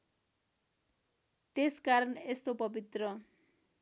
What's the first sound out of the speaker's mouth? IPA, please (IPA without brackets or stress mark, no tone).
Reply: t̪